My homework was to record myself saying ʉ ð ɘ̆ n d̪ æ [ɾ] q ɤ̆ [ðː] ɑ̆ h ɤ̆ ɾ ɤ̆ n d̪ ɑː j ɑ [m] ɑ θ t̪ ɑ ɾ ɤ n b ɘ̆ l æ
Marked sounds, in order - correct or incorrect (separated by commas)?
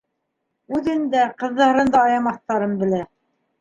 incorrect, correct, correct